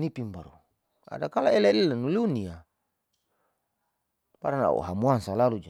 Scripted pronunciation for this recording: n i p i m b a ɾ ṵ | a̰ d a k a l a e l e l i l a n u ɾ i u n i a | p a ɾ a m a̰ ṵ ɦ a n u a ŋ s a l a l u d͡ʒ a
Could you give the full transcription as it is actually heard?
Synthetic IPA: n i p i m b a ɾ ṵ | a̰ d a k a l a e l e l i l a n u l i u n i a | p a ɾ a n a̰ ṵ ɦ a m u a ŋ s a l a l u d͡ʒ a